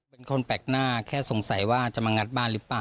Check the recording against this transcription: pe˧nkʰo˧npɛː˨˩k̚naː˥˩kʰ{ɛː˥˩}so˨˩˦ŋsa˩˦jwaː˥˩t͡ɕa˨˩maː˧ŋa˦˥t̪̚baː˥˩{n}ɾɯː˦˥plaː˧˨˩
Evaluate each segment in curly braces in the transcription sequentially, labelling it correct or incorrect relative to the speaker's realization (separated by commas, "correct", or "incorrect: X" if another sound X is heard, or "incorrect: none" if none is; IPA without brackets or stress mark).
correct, correct